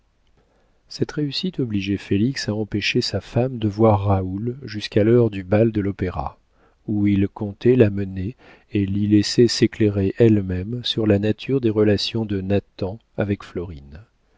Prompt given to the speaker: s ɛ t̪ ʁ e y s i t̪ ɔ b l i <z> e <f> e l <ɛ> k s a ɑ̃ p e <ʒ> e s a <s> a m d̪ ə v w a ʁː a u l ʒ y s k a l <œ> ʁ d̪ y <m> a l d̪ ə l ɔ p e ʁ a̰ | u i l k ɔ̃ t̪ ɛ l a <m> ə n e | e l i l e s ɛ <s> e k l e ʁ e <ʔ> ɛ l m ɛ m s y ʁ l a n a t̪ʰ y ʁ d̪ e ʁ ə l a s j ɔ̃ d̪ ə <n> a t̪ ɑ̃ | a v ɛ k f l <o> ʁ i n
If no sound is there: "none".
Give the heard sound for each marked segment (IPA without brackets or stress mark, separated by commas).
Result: ʒ, f, i, ʃ, f, œ, b, m, s, ʔ, n, ɔ